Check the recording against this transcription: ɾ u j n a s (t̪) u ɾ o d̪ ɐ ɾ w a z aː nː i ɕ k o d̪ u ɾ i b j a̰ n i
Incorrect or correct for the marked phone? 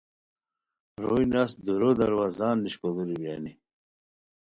incorrect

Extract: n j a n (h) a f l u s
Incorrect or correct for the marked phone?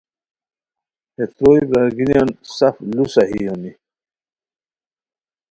incorrect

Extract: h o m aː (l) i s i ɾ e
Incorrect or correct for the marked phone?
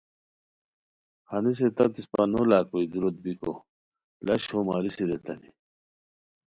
incorrect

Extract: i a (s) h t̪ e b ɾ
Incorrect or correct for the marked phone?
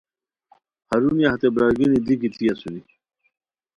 incorrect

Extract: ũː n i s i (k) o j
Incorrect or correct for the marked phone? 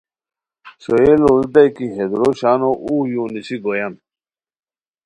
incorrect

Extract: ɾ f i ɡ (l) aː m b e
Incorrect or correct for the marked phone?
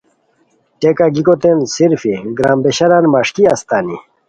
incorrect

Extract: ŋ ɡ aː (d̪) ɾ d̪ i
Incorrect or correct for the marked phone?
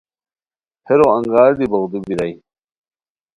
incorrect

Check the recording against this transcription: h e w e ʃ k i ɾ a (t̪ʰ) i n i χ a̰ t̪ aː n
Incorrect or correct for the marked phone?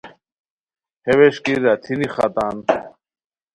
correct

